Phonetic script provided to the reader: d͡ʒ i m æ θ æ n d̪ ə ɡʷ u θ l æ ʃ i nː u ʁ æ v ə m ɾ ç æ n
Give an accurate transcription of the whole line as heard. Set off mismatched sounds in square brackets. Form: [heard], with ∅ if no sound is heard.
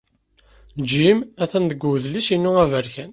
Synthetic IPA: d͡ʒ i m æ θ æ n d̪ ə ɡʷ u [ð] l [i] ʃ i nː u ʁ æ v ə [∅] ɾ ç æ n